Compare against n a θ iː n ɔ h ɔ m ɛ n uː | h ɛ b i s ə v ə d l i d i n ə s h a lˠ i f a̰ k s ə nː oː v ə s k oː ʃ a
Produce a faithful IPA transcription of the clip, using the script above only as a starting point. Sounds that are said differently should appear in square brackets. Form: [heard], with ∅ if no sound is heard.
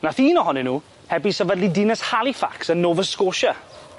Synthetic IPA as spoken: n a θ iː n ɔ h ɔ [n] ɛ n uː | h ɛ b i s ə v ə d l i d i n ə s h a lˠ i f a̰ k s ə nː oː v ə s k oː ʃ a